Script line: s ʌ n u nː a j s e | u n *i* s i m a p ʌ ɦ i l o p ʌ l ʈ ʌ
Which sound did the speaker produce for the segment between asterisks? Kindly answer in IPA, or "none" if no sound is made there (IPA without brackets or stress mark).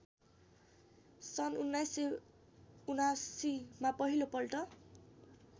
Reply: a